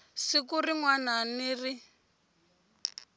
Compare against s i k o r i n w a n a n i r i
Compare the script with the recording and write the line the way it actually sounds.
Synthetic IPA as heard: s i k u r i ŋ w a n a n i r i